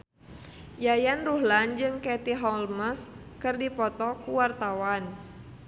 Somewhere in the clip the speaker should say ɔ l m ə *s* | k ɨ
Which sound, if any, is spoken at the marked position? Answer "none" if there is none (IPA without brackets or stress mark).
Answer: s